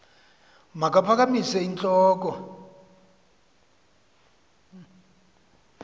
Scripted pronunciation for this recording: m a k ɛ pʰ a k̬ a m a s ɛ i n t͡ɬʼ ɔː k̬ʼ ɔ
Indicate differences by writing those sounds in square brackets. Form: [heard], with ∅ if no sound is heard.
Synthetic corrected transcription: m a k [a] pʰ a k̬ a m [i] s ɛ i n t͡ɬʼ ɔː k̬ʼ ɔ